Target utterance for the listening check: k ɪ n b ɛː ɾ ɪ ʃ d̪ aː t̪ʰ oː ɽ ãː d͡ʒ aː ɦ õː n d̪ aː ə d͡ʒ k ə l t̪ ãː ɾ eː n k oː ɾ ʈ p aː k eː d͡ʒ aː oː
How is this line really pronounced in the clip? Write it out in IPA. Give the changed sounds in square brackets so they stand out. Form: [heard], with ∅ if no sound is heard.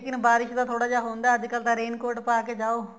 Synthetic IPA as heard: k ɪ n b [aː] ɾ ɪ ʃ d̪ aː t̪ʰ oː ɽ [aː] d͡ʒ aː ɦ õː n d̪ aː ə d͡ʒ k ə l t̪ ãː ɾ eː n k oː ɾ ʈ p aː k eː d͡ʒ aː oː